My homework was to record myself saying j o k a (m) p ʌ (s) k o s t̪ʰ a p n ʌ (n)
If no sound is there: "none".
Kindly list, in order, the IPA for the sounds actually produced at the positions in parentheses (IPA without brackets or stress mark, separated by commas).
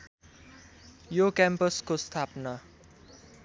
m, s, none